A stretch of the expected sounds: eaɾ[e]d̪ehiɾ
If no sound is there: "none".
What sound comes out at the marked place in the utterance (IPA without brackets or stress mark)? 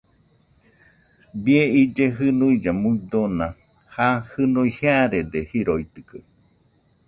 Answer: e